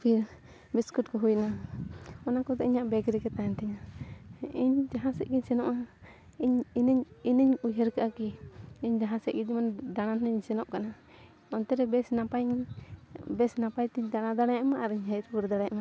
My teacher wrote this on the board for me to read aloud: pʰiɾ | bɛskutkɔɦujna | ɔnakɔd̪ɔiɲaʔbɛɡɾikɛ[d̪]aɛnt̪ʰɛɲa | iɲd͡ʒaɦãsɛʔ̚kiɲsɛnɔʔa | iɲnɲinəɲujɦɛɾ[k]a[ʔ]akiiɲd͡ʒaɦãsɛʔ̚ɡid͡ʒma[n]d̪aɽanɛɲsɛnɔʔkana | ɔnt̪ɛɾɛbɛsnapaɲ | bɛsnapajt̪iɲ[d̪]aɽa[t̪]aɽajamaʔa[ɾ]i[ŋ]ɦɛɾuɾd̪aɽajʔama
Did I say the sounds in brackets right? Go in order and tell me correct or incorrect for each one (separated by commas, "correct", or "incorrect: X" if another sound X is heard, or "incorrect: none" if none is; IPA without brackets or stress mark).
incorrect: t̪, correct, correct, correct, correct, incorrect: d̪, correct, incorrect: ɲ